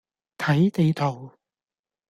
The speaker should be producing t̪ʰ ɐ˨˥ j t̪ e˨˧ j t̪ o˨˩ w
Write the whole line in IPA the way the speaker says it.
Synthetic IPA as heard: t̪ʰ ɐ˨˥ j t̪ e˨˧ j t̪ʰ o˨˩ w